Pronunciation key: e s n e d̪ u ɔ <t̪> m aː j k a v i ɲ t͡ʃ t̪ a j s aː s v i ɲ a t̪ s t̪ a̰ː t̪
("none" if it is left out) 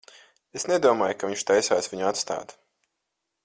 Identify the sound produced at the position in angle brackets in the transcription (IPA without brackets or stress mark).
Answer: none